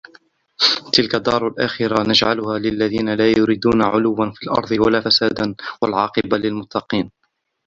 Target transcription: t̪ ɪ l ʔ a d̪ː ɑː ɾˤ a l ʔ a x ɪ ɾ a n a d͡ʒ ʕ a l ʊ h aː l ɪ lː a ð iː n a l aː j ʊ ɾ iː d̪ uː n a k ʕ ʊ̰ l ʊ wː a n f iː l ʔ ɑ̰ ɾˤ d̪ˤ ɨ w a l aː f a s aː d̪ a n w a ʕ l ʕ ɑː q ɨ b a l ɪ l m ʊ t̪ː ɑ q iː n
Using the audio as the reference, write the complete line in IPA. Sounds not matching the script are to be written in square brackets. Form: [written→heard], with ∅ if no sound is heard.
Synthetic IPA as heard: t̪ ɪ l [ʔ→k] a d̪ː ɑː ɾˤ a l ʔ a x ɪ ɾ a n a d͡ʒ ʕ a l ʊ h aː l ɪ lː a ð iː n a l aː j ʊ ɾ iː d̪ uː n a [k→∅] ʕ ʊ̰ l ʊ wː a n f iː l ʔ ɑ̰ ɾˤ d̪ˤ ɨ w a l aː f a s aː d̪ a n w a [ʕ→∅] l ʕ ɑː q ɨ b a l ɪ l m ʊ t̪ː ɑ q iː n